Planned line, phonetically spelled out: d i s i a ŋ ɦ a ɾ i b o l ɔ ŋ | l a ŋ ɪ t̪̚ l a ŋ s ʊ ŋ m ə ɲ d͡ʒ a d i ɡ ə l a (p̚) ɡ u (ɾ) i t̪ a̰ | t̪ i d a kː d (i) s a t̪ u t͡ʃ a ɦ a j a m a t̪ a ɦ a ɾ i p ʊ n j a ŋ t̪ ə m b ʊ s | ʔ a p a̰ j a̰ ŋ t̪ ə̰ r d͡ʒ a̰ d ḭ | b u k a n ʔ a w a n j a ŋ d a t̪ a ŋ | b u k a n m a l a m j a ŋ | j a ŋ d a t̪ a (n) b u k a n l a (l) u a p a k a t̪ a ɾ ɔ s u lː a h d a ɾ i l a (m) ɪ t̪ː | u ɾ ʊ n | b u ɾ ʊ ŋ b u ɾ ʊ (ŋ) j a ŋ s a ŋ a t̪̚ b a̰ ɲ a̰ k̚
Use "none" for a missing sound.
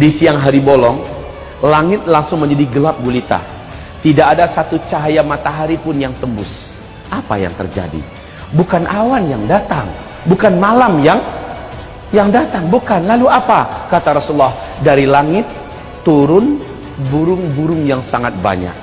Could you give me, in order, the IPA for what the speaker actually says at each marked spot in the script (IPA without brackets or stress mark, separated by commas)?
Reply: p̚, l, a, ŋ, l, ŋ, ŋ